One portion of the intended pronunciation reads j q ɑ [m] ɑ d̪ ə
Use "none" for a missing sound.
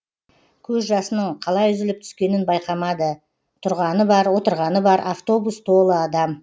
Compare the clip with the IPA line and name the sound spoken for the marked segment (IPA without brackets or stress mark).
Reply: m